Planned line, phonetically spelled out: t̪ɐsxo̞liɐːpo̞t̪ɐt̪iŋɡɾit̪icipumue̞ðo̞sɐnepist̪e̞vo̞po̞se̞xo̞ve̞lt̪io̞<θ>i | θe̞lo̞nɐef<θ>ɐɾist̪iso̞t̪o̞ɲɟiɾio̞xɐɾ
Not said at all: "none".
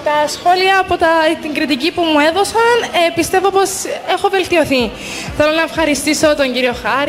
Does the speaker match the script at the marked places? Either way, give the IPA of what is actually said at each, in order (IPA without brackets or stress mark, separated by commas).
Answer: θ, x